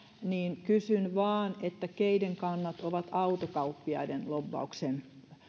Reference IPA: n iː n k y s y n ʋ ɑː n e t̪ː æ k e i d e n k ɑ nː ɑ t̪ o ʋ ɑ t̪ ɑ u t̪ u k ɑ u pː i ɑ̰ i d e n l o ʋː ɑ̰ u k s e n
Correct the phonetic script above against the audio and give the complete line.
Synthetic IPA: n iː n k y s y n ʋ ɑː n e t̪ː æ k e i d e ŋ k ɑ nː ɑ t̪ o ʋ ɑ t̪ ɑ u t̪ o k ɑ u pː i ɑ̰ i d e n l o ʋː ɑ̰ u k s e n